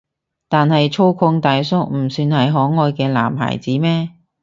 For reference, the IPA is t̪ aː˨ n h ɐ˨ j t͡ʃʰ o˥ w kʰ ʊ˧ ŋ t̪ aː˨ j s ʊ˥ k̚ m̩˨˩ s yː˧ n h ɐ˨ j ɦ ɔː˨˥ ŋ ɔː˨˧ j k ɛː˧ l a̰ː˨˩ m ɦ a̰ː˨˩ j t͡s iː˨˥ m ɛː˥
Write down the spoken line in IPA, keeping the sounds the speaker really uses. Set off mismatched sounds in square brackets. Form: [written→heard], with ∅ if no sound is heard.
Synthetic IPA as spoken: t̪ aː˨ n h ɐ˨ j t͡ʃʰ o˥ w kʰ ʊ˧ ŋ t̪ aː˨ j s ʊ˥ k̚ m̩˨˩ s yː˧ n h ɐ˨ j ɦ ɔː˨˥ ŋ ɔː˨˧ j k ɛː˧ l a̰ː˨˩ m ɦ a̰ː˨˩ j t͡s iː˨˥ m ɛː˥